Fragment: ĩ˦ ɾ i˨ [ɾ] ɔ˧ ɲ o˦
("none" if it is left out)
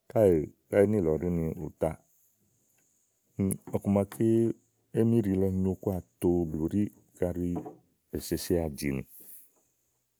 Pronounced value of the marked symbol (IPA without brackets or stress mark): l